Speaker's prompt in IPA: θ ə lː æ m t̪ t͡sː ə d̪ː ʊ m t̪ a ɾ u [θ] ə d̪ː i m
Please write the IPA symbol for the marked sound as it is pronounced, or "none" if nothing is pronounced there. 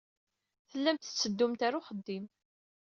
χ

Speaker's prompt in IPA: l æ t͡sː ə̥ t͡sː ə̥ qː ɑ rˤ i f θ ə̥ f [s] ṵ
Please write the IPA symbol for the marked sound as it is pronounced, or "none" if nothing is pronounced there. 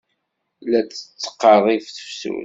s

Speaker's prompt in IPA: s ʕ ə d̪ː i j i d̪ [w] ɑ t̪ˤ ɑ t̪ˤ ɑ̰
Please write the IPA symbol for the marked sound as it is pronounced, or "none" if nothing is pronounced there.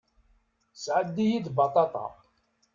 b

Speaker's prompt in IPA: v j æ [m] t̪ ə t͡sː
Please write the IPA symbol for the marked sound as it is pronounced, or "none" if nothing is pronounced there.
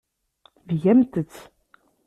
m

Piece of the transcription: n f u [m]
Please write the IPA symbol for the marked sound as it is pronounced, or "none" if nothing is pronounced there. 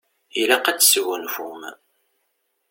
m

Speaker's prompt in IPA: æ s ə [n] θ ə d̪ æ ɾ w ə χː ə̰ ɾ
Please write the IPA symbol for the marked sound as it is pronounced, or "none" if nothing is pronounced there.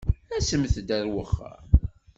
m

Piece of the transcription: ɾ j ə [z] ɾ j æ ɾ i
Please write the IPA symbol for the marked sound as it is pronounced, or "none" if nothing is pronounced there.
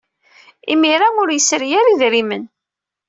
s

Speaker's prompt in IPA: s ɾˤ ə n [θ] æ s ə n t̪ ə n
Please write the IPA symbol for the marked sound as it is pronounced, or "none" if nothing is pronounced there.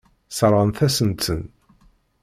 θ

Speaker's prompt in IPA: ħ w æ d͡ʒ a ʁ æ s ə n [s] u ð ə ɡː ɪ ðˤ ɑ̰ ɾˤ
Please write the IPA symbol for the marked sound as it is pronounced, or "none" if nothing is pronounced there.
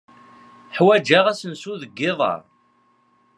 s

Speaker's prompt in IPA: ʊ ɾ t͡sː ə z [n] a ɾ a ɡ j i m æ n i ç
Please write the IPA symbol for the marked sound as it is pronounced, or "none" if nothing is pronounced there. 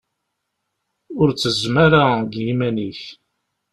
m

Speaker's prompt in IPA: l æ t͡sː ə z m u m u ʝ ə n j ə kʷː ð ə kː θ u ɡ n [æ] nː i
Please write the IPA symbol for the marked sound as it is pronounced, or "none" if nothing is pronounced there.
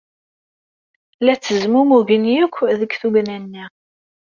æ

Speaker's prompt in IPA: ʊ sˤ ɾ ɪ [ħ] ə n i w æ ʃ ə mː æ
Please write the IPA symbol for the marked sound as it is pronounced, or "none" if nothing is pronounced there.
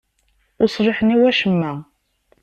ħ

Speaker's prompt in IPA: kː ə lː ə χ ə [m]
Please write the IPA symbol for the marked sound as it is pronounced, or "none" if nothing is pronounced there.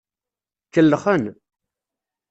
n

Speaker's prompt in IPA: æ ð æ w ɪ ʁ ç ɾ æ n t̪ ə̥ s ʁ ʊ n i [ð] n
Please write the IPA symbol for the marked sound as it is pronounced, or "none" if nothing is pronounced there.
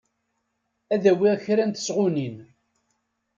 none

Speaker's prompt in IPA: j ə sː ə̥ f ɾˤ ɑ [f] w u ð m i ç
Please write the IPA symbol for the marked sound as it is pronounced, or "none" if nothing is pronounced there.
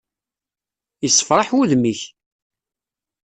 ħ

